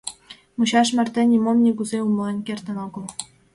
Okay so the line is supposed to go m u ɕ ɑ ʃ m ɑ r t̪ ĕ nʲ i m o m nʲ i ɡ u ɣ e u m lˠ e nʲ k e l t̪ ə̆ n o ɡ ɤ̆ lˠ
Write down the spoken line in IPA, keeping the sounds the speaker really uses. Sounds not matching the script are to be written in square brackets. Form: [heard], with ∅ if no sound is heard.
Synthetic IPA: m u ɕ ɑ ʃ m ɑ r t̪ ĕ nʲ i m o m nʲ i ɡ u [z] e u m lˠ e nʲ k e [r] t̪ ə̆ n o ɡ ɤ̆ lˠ